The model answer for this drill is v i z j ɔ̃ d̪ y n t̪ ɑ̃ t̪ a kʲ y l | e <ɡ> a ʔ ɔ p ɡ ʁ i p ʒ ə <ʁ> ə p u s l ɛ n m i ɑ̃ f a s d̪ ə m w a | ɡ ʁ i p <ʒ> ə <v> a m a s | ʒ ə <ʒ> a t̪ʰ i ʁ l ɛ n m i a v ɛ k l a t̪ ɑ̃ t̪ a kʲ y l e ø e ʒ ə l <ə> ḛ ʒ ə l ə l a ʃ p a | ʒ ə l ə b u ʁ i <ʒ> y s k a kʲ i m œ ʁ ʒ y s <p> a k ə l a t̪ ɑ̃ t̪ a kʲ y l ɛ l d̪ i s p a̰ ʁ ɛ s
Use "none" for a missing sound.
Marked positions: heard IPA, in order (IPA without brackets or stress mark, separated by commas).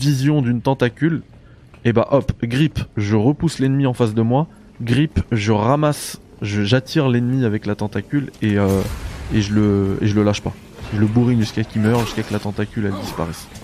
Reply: b, ʁ, ʒ, ʁ, ʒ, ə, ʒ, k